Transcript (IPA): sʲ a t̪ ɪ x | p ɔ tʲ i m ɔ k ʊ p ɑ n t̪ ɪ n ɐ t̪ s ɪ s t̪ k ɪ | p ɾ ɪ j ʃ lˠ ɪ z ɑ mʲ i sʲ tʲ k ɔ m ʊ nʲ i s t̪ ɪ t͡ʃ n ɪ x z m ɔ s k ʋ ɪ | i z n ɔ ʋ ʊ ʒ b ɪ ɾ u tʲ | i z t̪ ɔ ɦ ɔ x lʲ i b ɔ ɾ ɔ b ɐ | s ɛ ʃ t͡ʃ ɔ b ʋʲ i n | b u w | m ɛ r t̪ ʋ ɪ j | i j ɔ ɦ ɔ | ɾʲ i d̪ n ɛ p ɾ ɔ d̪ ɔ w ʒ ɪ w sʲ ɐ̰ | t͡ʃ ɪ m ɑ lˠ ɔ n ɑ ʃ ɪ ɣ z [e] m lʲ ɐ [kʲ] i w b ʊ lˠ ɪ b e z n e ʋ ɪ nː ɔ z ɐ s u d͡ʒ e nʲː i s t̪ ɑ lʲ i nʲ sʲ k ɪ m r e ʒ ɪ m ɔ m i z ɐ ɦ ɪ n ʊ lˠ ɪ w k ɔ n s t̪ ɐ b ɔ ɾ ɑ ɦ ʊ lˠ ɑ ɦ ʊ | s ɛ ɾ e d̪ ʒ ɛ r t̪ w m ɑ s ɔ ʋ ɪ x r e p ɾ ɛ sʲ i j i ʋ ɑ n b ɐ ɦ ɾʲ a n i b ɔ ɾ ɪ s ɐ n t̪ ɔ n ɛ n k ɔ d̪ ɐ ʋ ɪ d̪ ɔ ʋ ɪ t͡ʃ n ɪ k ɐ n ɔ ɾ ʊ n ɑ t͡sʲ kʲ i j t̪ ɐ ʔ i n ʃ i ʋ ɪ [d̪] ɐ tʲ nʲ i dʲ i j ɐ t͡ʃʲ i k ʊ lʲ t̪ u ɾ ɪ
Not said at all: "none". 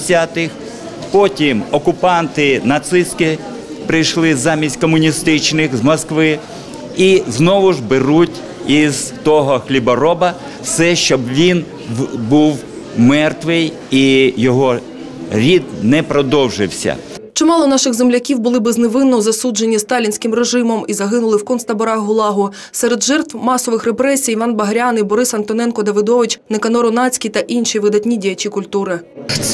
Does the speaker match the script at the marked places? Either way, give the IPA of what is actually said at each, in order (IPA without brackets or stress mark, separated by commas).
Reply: e, kʲ, d̪